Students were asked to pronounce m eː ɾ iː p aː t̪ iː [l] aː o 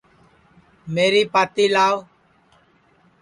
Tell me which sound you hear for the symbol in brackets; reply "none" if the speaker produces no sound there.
l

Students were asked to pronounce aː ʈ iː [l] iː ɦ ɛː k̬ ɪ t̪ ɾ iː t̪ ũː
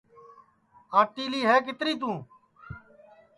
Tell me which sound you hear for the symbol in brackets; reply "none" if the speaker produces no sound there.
l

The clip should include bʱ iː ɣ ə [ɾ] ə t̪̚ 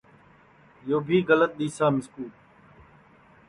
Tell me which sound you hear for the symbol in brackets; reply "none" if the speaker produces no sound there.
l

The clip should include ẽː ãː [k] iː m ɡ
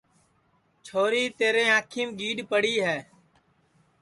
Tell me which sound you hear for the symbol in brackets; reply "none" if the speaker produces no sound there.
kʰ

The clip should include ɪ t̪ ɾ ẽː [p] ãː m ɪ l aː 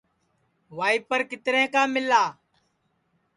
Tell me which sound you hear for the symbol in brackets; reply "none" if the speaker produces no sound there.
k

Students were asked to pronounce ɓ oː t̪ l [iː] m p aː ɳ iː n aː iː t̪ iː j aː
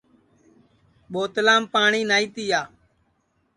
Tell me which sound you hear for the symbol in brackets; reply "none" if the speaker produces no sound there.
aː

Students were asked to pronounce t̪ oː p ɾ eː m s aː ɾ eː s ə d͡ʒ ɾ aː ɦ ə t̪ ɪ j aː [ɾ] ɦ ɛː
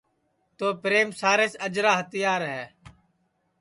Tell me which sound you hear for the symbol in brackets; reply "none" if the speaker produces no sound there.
ɾ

